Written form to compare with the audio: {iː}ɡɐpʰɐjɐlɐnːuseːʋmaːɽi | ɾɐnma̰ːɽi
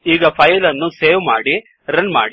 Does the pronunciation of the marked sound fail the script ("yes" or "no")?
no